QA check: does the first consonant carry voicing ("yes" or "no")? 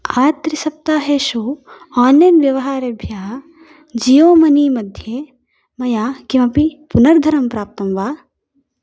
no